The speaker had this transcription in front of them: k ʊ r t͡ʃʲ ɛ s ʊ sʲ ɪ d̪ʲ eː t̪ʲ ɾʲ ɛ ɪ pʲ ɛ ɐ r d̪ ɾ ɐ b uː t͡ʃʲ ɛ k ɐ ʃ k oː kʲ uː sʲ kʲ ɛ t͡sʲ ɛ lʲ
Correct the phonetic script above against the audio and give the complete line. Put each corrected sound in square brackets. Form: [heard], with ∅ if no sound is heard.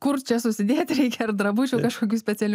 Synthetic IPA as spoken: k ʊ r t͡ʃʲ ɛ s ʊ sʲ ɪ d̪ʲ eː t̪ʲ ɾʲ ɛ ɪ [kʲ] ɛ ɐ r d̪ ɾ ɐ b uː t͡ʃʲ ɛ k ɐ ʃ k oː kʲ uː sʲ [pʲ] ɛ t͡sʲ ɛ lʲ

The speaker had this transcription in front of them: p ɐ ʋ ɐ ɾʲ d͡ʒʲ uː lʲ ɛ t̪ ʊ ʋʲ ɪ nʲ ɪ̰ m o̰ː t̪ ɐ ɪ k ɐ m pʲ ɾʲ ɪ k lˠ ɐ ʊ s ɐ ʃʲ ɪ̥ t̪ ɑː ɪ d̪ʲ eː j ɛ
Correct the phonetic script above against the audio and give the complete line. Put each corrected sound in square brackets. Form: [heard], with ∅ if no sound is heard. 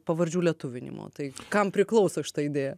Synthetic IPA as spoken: p ɐ ʋ ɐ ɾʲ d͡ʒʲ uː lʲ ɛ t̪ ʊ ʋʲ ɪ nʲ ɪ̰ m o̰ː t̪ ɐ ɪ k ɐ m pʲ ɾʲ ɪ k lˠ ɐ ʊ s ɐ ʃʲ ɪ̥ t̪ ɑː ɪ d̪ʲ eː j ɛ

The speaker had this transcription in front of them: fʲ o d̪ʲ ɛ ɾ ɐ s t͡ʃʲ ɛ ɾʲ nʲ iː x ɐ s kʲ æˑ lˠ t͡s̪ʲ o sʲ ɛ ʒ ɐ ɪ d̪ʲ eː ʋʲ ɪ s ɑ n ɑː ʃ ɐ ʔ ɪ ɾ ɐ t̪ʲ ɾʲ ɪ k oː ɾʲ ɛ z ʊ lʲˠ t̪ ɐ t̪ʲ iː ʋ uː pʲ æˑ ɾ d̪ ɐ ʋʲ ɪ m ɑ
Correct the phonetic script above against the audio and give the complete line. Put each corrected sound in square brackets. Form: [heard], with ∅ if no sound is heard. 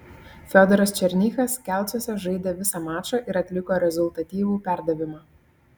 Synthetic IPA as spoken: fʲ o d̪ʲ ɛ ɾ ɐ s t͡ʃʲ ɛ ɾʲ nʲ iː x ɐ s kʲ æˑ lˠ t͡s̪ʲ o sʲ ɛ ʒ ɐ ɪ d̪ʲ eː ʋʲ ɪ s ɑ [m] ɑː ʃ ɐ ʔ ɪ ɾ ɐ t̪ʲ [lʲ] ɪ k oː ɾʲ ɛ z ʊ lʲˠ t̪ ɐ t̪ʲ iː ʋ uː pʲ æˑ ɾ d̪ ɐ ʋʲ ɪ m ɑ

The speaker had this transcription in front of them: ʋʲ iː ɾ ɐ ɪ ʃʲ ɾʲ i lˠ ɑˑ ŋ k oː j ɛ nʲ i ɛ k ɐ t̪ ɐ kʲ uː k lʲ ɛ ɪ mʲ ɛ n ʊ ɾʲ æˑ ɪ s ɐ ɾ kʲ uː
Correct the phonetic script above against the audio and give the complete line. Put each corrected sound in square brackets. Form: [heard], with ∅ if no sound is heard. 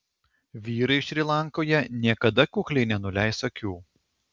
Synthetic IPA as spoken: ʋʲ iː ɾ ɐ ɪ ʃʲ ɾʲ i lˠ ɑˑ ŋ k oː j ɛ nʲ i ɛ k ɐ [d̪] ɐ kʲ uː k lʲ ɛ ɪ [nʲ] ɛ n ʊ [lʲ] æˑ ɪ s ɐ [∅] kʲ uː

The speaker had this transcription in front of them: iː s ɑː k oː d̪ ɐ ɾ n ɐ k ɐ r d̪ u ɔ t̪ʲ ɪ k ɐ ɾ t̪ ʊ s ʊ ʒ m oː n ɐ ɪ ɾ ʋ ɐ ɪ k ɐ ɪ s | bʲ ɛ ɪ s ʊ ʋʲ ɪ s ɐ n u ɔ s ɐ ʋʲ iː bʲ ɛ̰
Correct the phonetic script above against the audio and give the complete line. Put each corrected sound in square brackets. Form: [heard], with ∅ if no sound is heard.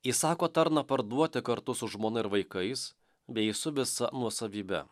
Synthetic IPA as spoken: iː s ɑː k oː [t̪] ɐ ɾ n ɐ [p] ɐ [ɾ] d̪ u ɔ t̪ʲ ɪ k ɐ ɾ t̪ ʊ s ʊ ʒ m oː n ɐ ɪ ɾ ʋ ɐ ɪ k ɐ ɪ s | bʲ ɛ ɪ s ʊ ʋʲ ɪ s ɐ n u ɔ s ɐ ʋʲ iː bʲ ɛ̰

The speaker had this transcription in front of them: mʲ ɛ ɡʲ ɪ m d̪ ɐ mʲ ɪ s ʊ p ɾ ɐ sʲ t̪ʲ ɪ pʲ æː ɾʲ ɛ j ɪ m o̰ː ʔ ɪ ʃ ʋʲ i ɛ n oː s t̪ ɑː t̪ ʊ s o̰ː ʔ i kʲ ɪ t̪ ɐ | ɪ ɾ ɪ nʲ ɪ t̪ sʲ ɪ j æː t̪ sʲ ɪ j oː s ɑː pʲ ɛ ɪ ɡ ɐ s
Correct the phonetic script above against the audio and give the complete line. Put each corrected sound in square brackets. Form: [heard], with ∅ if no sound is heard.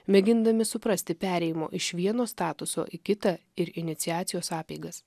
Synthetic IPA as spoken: mʲ ɛ ɡʲ ɪ [n] d̪ ɐ mʲ ɪ s ʊ p ɾ ɐ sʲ t̪ʲ ɪ pʲ æː ɾʲ ɛ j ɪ m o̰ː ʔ ɪ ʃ ʋʲ i ɛ n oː s t̪ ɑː t̪ ʊ s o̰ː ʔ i kʲ ɪ t̪ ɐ | ɪ ɾ ɪ nʲ ɪ t̪ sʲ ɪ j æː t̪ sʲ ɪ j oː s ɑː pʲ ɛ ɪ ɡ ɐ s

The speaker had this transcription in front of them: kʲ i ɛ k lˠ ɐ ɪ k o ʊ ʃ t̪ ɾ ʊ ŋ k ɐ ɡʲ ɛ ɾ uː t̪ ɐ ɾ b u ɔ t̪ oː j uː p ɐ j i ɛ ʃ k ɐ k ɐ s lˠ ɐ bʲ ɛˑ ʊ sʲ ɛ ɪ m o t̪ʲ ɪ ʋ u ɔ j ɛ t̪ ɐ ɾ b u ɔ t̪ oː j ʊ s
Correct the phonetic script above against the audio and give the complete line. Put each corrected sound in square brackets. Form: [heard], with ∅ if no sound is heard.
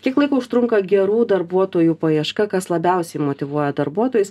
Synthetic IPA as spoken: kʲ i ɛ k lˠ ɐ ɪ k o ʊ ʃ t̪ ɾ ʊ ŋ k ɐ ɡʲ ɛ ɾ uː [d̪] ɐ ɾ b u ɔ t̪ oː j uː p ɐ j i ɛ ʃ k ɐ k ɐ s lˠ ɐ bʲ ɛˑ ʊ sʲ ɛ ɪ m o t̪ʲ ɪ ʋ u ɔ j ɛ [d̪] ɐ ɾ b u ɔ t̪ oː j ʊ s

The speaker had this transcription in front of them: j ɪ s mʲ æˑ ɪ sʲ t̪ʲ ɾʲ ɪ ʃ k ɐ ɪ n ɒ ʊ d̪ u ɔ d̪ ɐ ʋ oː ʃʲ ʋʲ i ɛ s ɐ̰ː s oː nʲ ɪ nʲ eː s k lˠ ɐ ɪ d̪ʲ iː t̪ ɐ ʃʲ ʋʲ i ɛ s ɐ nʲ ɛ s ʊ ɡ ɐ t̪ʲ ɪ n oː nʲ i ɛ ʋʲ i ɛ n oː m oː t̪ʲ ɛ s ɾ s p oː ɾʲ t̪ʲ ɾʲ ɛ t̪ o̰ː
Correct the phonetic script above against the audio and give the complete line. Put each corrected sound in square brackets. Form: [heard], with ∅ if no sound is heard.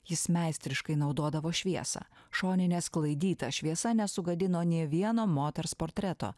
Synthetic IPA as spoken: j ɪ s mʲ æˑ ɪ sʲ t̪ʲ ɾʲ ɪ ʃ k ɐ ɪ n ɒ ʊ d̪ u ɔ d̪ ɐ ʋ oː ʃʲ ʋʲ i ɛ s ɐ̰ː [ʃ] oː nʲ ɪ nʲ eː s k lˠ ɐ ɪ d̪ʲ iː t̪ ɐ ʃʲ ʋʲ i ɛ s ɐ nʲ ɛ s ʊ ɡ ɐ [d̪ʲ] ɪ n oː nʲ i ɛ ʋʲ i ɛ n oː m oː t̪ʲ ɛ [∅] ɾ s p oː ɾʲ t̪ʲ ɾʲ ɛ t̪ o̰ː

